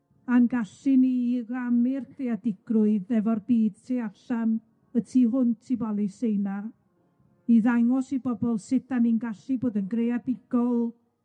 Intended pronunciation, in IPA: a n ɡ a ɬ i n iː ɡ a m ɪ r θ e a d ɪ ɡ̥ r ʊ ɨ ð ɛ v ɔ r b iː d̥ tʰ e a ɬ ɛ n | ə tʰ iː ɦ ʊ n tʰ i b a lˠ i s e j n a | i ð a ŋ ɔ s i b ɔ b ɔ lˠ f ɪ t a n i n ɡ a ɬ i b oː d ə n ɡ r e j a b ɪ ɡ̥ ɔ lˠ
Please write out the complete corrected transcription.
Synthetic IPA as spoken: a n ɡ a ɬ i n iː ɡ a m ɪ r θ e a d ɪ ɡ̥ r ʊ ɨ ð ɛ v ɔ r b iː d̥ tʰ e a ɬ a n | ə tʰ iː ɦ ʊ n tʰ i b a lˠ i s e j n a | i ð a ŋ ɔ s i b ɔ b ɔ lˠ s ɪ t a n i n ɡ a ɬ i b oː d ə n ɡ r e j a b ɪ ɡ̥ ɔ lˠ